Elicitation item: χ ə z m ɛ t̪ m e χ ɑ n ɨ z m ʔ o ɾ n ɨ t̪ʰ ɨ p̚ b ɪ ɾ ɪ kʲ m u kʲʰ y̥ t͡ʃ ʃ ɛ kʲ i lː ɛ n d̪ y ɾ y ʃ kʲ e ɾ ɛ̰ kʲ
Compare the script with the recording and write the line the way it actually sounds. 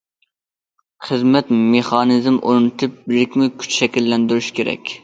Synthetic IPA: χ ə z m ɛ t̪ m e χ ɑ n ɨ z m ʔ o ɾ n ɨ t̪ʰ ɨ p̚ b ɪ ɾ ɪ kʲ m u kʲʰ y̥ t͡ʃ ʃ ɛ kʲ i lː ɛ n d̪ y ɾ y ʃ kʲ e ɾ ɛ̰ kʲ